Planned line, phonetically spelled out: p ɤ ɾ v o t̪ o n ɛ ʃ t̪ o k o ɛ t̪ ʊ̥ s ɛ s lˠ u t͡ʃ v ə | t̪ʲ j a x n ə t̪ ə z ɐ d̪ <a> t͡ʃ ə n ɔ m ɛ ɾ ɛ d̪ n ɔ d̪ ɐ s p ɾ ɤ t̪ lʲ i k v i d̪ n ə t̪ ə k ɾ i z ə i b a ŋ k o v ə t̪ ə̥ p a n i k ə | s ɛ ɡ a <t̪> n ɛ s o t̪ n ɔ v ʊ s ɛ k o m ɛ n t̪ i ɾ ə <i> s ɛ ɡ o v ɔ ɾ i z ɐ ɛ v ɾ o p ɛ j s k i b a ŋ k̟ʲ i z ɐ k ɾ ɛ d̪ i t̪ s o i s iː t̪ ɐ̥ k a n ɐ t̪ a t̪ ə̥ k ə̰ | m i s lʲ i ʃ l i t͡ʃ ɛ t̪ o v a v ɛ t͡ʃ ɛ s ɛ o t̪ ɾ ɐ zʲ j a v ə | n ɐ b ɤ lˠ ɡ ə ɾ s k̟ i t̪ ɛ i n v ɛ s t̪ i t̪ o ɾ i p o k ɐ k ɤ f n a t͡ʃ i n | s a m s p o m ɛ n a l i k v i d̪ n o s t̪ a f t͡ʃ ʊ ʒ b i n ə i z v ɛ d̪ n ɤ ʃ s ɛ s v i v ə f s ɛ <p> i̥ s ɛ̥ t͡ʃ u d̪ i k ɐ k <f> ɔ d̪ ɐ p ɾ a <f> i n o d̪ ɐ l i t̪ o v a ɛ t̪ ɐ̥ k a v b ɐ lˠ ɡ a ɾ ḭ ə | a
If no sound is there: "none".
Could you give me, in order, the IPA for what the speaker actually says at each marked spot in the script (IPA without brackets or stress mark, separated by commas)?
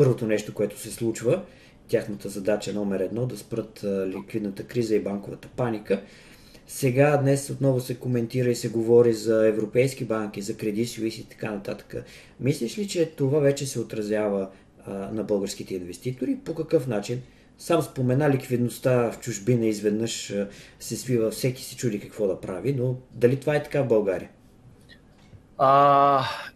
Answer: a, d̪, i, k, v, v